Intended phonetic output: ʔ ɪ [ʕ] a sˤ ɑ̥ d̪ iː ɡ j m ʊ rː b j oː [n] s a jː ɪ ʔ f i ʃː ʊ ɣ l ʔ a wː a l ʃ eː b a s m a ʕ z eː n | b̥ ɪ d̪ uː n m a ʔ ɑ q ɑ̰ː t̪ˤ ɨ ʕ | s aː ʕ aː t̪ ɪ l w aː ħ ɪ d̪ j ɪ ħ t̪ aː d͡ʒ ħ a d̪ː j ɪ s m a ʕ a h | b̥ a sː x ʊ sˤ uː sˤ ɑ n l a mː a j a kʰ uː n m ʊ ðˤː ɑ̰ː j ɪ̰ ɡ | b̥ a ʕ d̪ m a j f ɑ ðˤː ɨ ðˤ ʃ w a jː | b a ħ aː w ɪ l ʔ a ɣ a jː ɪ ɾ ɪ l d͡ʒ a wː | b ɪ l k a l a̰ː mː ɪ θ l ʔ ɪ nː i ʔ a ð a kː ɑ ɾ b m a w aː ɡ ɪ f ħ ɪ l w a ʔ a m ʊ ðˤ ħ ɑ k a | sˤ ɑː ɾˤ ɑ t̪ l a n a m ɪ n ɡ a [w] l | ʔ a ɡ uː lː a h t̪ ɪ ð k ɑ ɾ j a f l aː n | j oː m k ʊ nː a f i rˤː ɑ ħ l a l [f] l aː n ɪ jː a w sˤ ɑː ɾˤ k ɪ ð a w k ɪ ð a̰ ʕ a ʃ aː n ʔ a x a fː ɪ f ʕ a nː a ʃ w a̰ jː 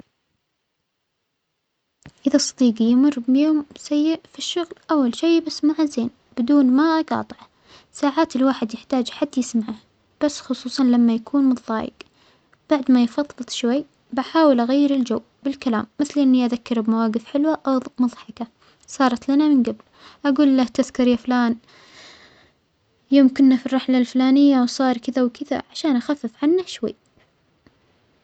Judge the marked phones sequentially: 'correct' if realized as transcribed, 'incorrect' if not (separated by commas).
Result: incorrect, incorrect, incorrect, correct